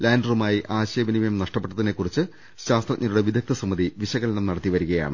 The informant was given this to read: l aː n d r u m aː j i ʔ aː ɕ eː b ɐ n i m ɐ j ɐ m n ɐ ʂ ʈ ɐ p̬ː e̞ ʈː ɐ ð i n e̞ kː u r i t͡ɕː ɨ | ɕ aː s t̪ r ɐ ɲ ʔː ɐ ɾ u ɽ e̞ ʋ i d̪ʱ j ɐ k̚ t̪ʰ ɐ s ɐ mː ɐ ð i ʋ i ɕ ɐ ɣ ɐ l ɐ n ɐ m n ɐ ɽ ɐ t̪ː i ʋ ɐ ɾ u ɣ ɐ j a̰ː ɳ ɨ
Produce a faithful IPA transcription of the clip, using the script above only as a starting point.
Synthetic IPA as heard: l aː n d r u m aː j i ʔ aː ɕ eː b ɐ n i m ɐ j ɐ m n ɐ ʂ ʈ ɐ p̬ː e̞ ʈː ɐ ð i n e̞ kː u r i t͡ɕː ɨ | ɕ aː s t̪ r ɐ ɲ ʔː ɐ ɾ u ɽ e̞ ʋ i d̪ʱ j ɐ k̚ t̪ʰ ɐ s ɐ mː ɐ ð i ʋ i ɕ ɐ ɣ ɐ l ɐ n ɐ m n ɐ ɽ ɐ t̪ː i ʋ ɐ ɾ u ɣ ɐ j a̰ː ɳ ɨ